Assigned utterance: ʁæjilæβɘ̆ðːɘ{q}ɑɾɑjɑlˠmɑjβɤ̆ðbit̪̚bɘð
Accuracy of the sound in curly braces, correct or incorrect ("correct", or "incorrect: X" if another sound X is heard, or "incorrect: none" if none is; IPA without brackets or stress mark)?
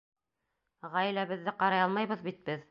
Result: correct